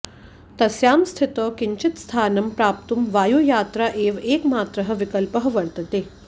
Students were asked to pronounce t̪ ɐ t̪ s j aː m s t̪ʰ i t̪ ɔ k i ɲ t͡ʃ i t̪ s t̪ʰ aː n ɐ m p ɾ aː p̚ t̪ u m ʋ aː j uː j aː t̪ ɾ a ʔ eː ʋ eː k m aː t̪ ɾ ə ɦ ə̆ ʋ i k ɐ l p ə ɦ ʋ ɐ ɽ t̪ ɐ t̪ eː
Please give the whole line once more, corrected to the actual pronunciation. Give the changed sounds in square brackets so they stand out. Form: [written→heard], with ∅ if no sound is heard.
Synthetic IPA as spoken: t̪ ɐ [t̪→∅] s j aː m s t̪ʰ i t̪ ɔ k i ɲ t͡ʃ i t̪ s t̪ʰ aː n ɐ m p ɾ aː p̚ t̪ u m ʋ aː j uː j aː t̪ ɾ a ʔ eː ʋ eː k m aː t̪ ɾ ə ɦ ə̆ ʋ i k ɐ l p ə ɦ ʋ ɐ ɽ t̪ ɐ t̪ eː